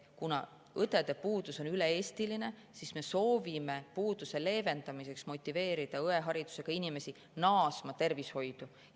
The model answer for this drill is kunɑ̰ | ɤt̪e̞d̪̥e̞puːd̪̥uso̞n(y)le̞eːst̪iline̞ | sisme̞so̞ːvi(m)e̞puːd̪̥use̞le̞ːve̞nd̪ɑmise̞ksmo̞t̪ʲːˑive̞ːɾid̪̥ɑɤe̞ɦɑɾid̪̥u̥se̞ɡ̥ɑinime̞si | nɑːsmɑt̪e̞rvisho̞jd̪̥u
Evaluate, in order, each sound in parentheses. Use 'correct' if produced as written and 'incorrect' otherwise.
correct, correct

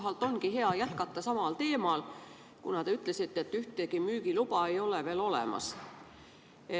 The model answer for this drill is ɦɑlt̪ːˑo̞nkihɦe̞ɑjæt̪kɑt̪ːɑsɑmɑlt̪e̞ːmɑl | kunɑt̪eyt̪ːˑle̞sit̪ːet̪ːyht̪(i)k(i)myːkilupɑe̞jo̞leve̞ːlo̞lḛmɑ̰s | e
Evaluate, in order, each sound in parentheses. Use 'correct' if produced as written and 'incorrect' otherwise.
incorrect, correct

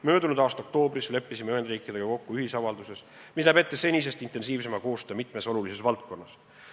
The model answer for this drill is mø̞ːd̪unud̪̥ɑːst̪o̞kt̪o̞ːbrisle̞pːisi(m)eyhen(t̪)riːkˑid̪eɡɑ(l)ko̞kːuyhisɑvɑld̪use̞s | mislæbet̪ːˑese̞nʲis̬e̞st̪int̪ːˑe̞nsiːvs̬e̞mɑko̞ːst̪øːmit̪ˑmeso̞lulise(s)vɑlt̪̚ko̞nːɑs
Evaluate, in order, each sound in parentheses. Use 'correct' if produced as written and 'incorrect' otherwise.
correct, incorrect, incorrect, correct

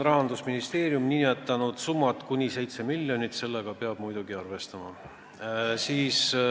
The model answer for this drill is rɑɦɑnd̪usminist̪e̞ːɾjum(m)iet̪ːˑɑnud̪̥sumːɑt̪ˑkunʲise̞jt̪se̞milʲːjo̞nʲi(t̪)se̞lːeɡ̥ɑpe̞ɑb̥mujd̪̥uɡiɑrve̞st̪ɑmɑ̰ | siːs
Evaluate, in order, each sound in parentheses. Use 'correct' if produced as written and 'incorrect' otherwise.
incorrect, correct

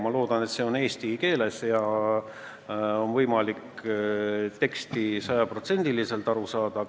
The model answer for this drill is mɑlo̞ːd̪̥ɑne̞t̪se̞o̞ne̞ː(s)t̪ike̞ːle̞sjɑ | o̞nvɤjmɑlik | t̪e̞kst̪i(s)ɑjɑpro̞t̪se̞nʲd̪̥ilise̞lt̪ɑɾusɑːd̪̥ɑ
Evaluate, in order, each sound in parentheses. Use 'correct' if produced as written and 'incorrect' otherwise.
correct, correct

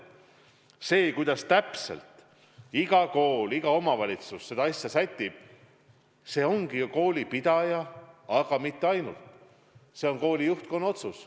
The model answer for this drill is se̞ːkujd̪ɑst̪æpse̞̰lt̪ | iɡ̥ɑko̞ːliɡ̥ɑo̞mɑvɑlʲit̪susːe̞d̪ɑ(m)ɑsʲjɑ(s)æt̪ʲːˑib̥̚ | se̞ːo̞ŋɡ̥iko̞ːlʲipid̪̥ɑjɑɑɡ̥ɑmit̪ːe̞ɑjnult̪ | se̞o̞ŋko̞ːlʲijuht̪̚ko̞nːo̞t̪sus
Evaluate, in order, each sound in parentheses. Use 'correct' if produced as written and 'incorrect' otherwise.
incorrect, correct

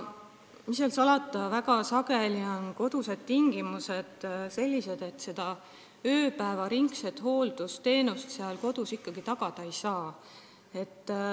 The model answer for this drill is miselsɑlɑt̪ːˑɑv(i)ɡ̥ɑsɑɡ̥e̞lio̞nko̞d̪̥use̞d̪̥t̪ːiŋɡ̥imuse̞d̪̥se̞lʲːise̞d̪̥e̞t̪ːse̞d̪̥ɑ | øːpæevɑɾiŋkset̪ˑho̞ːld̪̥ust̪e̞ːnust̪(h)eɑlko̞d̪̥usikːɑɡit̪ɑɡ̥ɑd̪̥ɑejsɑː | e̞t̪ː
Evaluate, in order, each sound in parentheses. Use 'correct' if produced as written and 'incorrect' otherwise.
incorrect, incorrect

